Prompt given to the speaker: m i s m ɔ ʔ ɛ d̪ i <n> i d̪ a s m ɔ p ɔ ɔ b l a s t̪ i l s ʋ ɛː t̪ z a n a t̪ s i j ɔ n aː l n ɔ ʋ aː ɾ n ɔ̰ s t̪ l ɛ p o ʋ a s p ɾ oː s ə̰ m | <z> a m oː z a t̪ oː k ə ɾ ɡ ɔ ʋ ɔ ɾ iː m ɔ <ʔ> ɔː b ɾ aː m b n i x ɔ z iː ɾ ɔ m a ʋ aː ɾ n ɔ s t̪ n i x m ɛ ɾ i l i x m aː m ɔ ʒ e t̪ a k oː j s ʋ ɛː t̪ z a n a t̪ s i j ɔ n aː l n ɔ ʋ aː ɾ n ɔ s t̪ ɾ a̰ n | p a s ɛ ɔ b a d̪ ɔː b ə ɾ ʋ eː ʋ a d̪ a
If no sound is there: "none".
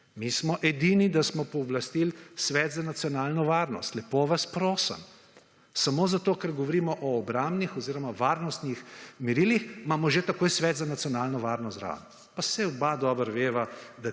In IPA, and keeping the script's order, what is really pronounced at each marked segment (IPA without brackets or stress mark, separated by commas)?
n, s, ʔ